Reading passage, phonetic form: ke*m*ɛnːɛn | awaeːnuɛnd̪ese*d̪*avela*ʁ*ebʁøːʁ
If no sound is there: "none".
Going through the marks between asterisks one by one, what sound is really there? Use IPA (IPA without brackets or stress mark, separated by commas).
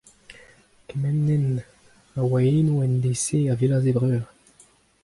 m, none, z